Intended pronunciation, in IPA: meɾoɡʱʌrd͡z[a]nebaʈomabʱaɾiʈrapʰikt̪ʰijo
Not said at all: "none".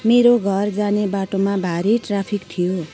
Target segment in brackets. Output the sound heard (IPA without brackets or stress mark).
a